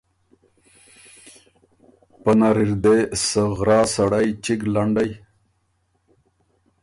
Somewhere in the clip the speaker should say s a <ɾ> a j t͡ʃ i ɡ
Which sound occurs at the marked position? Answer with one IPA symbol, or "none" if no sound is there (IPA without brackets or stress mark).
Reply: ɽ